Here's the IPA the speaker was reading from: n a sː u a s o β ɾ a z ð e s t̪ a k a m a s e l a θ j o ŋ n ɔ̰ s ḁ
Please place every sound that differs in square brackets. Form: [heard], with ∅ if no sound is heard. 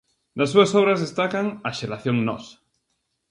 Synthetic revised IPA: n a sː u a s o β ɾ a z ð e s t̪ a k a [ŋ] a [ʃ] e l a θ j o ŋ n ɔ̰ s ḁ